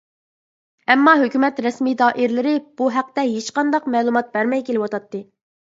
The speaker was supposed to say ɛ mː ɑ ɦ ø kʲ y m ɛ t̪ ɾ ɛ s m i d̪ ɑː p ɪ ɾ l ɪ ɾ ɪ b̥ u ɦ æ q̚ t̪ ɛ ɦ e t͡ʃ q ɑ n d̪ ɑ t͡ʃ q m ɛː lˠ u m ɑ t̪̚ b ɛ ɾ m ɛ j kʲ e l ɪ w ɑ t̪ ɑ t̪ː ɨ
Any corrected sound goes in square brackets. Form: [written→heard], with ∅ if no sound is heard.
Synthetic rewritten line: ɛ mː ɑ ɦ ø kʲ y m ɛ t̪ ɾ ɛ s m i d̪ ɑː [p→ʔ] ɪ ɾ l ɪ ɾ ɪ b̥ u ɦ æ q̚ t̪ ɛ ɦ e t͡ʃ q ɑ n d̪ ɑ [t͡ʃ→∅] q m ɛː lˠ u m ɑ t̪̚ b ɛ ɾ m ɛ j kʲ e l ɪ w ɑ t̪ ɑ t̪ː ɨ